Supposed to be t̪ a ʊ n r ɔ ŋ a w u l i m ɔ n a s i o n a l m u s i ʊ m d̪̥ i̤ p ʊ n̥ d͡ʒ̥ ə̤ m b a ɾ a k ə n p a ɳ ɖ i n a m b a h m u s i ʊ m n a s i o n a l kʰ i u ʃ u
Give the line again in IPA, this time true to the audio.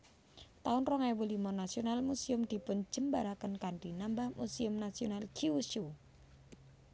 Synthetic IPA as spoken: t̪ a ʊ n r ɔ ŋ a w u l i m ɔ n a s i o n a l m u s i ʊ m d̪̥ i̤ p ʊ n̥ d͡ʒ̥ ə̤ m b a ɾ a k ə n k a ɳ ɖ i n a m b a h m u s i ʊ m n a s i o n a l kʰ i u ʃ u